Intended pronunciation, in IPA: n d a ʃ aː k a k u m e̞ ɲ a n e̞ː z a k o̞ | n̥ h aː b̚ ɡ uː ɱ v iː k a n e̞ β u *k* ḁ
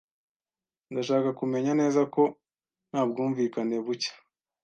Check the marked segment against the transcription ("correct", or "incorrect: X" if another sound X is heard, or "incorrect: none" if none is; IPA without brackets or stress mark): incorrect: c